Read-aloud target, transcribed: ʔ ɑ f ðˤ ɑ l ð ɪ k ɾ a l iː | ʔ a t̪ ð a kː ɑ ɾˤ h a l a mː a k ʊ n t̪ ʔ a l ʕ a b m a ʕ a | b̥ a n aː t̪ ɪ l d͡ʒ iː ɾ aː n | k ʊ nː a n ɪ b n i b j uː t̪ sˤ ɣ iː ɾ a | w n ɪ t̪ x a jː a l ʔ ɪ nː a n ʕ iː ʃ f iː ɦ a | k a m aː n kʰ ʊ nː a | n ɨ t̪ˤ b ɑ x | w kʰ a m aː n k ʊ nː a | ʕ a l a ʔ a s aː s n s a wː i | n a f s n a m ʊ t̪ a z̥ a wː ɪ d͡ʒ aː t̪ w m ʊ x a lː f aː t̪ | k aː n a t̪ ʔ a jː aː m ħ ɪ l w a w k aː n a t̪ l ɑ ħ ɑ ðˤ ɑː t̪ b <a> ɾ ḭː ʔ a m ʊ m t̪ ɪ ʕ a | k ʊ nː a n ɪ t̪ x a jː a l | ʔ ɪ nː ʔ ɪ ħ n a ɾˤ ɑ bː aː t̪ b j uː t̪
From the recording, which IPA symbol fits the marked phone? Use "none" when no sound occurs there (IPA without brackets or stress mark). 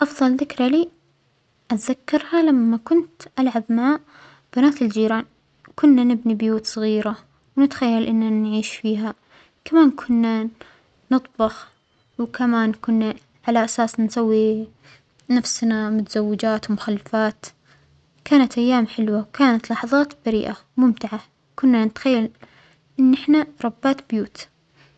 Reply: a